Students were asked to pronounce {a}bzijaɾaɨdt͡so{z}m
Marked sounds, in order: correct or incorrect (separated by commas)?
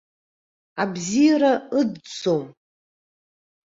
correct, incorrect